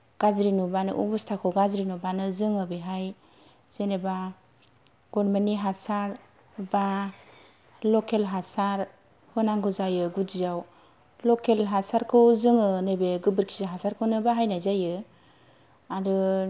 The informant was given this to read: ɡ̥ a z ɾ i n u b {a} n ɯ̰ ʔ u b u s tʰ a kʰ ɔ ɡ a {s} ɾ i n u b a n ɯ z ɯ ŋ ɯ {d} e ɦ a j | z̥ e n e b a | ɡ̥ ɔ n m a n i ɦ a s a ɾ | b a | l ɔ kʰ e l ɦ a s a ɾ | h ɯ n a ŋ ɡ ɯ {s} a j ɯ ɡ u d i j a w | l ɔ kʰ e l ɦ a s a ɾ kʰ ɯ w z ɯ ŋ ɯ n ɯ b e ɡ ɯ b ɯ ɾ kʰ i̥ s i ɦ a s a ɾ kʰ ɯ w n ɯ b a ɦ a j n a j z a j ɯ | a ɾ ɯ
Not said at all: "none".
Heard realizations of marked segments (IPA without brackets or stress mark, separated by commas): a, z, b, z